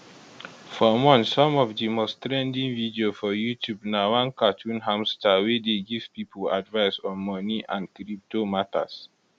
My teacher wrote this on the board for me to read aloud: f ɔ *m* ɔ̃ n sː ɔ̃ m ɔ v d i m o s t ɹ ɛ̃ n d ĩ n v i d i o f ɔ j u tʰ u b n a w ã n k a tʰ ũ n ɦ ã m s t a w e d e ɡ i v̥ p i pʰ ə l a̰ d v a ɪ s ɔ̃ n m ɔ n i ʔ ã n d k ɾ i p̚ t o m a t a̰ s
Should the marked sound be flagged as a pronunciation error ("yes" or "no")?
no